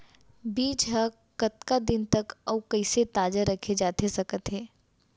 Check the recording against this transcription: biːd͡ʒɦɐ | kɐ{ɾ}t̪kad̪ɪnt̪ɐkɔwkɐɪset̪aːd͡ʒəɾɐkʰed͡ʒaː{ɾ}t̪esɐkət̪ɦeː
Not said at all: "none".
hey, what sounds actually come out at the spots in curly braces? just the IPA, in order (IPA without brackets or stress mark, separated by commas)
none, none